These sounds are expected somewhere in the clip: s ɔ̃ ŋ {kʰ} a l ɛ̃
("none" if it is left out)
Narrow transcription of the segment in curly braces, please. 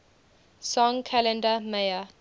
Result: kʰ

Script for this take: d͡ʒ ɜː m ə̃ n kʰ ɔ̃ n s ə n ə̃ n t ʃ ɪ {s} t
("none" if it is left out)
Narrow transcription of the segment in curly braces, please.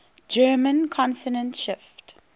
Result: f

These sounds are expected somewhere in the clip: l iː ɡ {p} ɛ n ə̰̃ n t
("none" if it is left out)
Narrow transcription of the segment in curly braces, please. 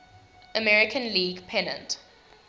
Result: pʰ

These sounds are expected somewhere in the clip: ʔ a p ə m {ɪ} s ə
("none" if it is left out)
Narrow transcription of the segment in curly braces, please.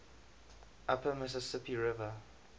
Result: ɪ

